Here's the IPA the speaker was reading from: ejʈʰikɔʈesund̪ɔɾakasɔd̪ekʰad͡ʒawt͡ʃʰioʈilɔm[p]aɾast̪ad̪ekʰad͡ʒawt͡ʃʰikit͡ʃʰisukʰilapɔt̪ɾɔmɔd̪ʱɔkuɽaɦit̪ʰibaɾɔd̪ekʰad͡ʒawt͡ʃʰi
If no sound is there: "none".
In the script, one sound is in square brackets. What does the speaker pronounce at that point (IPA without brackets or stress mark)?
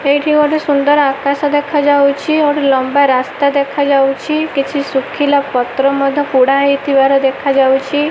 b